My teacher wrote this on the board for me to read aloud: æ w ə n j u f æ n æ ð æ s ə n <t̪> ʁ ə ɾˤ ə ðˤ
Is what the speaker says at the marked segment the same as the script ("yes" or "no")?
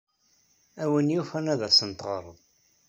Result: yes